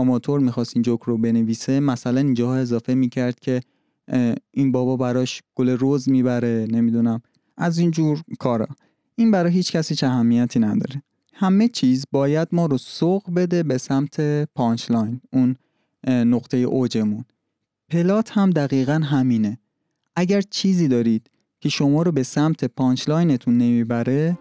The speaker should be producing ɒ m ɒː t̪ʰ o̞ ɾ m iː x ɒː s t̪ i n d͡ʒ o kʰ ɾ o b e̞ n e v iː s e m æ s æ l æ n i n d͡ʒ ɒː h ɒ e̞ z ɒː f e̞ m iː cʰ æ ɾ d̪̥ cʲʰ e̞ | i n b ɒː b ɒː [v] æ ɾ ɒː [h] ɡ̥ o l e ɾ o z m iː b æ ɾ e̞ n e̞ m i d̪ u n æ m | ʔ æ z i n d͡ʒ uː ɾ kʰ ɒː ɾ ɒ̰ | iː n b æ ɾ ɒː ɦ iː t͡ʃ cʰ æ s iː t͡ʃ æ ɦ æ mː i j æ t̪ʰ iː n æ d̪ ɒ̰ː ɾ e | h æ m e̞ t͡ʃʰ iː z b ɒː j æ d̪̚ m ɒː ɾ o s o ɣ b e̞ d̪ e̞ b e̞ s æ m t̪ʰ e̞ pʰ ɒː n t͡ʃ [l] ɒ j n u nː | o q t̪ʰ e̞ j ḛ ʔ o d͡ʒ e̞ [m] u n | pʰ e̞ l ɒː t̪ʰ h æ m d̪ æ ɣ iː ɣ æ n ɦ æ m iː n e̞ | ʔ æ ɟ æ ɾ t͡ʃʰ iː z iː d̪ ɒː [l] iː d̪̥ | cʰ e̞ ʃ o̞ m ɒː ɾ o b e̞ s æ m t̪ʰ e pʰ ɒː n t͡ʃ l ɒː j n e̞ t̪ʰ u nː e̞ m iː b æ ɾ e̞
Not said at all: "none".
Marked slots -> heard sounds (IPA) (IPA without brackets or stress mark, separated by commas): b, ʃ, l, m, ɾ